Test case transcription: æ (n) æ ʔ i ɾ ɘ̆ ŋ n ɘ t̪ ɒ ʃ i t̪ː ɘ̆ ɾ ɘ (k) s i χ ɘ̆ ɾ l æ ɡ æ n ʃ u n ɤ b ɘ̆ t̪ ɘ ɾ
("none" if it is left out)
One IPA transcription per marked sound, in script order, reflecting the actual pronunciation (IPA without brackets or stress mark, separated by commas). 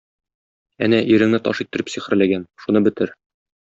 n, p